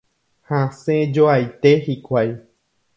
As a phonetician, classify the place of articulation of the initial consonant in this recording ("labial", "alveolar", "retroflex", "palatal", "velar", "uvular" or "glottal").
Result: glottal